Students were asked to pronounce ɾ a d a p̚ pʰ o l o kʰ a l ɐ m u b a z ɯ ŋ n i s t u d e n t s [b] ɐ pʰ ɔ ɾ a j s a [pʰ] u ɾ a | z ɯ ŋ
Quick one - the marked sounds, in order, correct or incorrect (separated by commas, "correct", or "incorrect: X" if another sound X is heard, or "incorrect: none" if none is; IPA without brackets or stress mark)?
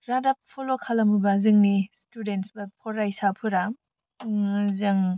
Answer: correct, correct